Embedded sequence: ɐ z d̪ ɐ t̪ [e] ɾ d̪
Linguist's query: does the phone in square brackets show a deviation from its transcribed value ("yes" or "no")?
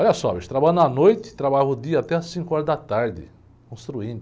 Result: yes